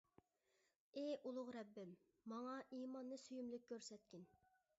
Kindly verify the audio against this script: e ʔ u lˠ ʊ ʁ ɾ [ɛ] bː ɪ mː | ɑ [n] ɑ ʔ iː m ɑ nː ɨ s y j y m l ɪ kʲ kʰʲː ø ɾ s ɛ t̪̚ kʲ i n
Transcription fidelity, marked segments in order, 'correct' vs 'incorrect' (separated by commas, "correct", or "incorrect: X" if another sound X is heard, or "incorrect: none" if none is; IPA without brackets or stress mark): correct, incorrect: ŋ